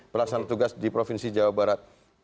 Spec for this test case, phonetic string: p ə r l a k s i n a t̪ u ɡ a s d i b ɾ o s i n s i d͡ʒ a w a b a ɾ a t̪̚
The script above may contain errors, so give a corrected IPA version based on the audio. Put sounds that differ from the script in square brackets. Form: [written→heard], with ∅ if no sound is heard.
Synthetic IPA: p ə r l a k s [i→a] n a t̪ u ɡ a s d i [b→p] ɾ o [s→f] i n s i d͡ʒ a w a b a ɾ a t̪̚